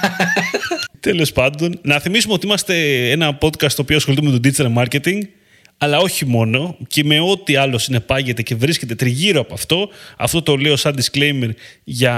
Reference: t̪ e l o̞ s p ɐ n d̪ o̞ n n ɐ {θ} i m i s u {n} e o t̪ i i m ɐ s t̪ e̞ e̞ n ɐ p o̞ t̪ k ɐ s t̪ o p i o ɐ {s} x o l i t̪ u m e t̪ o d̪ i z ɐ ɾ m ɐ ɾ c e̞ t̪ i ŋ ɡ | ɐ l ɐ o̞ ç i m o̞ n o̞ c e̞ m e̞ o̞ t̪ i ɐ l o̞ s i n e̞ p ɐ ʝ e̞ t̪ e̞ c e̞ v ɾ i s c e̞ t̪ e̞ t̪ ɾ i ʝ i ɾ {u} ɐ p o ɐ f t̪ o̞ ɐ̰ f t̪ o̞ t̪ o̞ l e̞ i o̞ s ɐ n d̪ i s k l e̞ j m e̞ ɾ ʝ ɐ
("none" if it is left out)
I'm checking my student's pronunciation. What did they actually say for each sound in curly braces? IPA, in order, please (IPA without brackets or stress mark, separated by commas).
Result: θ, m, s, o